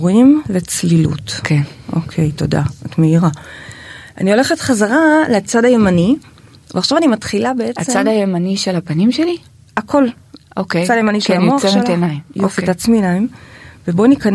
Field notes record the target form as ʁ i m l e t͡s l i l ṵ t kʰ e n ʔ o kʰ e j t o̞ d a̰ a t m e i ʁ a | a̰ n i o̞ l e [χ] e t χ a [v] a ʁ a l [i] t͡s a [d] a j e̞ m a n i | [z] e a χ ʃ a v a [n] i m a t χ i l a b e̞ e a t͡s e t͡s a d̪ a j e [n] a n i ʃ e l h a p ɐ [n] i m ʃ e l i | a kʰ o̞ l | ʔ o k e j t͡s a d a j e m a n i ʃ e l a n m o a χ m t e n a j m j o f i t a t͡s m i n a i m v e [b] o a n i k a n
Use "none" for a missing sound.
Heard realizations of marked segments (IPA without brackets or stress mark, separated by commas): χ, z, e, d, v, n, m, n, b